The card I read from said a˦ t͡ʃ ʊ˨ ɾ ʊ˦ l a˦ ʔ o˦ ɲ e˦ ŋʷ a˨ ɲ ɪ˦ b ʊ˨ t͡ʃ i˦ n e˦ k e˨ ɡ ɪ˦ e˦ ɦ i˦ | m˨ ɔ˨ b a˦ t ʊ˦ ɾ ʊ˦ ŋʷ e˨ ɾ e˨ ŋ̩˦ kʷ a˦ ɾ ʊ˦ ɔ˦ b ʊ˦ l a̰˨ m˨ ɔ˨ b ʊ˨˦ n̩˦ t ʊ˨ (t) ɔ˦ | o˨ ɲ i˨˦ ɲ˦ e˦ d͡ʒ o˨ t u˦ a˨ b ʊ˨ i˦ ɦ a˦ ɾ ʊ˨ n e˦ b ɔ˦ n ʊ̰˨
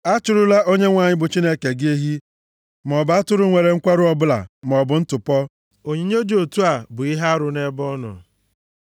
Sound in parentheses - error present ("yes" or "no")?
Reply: yes